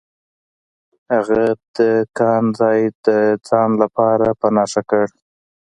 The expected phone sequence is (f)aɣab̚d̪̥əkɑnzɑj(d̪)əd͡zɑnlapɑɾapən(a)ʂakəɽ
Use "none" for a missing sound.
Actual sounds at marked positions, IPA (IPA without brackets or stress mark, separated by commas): h, d̪, ɑ